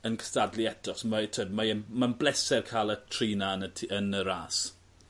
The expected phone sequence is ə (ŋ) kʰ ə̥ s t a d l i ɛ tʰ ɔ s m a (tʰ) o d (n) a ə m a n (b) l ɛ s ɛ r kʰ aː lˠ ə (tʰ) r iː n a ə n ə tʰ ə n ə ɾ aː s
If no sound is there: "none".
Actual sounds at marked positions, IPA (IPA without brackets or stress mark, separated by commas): n, tʰ, m, b, tʰ